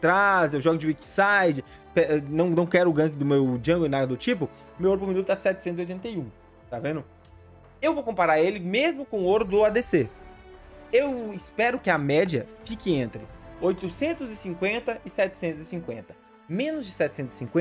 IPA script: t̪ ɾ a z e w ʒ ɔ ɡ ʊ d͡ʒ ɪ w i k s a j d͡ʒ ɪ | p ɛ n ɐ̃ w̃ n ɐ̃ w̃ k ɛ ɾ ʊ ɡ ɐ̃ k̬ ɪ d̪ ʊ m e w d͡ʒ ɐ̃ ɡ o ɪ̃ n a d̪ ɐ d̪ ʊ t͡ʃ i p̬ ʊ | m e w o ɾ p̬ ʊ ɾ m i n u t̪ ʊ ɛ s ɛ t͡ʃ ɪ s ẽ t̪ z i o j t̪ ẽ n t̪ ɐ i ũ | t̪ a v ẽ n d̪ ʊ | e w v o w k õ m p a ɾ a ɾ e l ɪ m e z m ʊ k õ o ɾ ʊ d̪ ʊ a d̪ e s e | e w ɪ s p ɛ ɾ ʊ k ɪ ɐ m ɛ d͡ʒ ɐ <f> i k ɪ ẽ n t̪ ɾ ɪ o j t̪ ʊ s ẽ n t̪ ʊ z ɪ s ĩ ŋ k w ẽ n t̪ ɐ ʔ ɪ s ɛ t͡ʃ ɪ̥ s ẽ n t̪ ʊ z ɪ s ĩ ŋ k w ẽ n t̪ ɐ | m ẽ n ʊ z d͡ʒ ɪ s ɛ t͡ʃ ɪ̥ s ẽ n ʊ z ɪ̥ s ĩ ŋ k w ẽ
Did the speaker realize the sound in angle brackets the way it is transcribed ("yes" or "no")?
yes